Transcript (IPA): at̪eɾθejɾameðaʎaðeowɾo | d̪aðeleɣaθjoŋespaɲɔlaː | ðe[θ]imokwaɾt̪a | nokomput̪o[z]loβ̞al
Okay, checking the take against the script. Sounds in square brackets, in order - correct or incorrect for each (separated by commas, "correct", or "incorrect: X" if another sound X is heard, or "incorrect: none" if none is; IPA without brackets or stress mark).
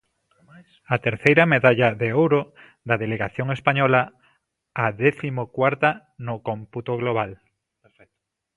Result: correct, incorrect: ɣ